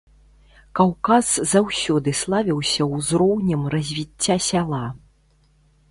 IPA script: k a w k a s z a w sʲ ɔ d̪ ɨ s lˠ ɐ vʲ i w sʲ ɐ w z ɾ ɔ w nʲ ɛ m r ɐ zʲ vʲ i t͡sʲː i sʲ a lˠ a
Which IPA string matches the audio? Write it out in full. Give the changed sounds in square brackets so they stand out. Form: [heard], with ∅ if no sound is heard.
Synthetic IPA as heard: k a w k a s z a w sʲ ɔ d̪ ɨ s lˠ [a] vʲ i w sʲ ɐ w z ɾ ɔ w nʲ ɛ m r ɐ zʲ vʲ i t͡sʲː [a] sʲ a lˠ a